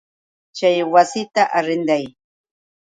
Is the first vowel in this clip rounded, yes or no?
no